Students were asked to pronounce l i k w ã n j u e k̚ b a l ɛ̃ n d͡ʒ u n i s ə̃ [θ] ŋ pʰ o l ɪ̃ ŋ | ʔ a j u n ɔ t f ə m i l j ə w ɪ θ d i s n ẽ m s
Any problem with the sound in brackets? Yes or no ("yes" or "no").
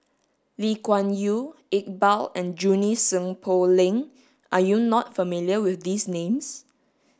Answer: yes